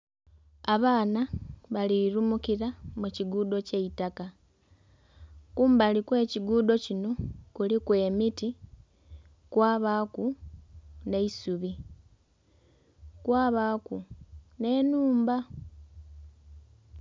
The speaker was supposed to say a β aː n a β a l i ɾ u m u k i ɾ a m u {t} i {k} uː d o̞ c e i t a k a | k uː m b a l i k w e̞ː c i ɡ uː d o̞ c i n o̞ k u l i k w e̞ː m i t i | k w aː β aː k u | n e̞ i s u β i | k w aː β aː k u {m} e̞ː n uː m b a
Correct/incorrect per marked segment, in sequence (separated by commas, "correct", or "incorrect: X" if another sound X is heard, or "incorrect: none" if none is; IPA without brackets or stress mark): incorrect: c, incorrect: ɡ, incorrect: n